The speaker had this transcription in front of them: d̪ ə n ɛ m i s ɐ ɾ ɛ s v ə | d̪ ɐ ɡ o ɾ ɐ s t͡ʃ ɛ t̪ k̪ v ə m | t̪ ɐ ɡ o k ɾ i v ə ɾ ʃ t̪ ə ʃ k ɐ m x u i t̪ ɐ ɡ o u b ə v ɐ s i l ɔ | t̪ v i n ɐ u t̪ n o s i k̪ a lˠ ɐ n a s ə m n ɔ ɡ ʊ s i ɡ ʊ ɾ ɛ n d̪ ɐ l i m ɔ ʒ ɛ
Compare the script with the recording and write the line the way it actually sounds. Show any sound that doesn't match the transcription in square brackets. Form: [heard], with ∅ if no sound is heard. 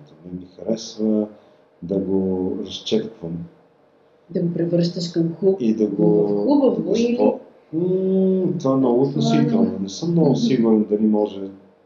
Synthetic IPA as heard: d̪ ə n ɛ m i [x] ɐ ɾ ɛ s v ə | d̪ ɐ ɡ o ɾ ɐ s t͡ʃ ɛ t̪ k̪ v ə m | [d̪] ɐ ɡ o [p] ɾ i v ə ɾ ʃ t̪ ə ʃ k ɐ m x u i [d̪] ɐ ɡ o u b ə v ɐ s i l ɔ | t̪ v [a] n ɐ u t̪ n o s i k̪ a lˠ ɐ n [ɛ] s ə m n ɔ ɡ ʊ s i ɡ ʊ ɾ ɛ n d̪ ɐ l i m ɔ ʒ ɛ